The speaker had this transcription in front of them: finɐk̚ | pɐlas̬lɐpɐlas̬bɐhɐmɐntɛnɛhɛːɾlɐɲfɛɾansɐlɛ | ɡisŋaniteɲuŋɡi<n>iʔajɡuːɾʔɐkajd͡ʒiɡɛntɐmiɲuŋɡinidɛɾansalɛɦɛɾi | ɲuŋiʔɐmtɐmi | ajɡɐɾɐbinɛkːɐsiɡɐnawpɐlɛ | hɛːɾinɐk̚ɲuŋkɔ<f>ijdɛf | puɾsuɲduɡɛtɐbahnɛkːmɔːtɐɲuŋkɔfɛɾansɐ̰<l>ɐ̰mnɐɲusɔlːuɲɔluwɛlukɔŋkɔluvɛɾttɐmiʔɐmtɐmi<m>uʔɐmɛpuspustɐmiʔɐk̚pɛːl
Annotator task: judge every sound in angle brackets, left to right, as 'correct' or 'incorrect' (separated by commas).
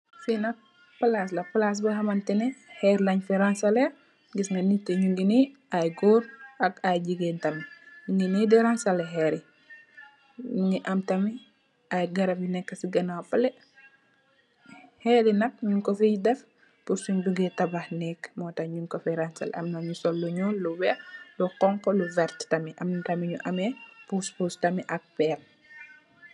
correct, correct, correct, incorrect